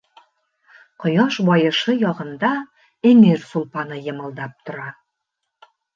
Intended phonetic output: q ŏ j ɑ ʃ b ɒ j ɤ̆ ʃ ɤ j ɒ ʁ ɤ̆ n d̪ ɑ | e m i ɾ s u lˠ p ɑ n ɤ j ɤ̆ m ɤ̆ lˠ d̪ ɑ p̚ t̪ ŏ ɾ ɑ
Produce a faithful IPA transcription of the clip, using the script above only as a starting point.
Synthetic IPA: q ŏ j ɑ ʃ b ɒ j ɤ̆ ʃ ɤ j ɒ ʁ ɤ̆ n d̪ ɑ | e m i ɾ s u lˠ p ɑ n ɤ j ɤ̆ m ɤ̆ lˠ d̪ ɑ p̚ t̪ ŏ ɾ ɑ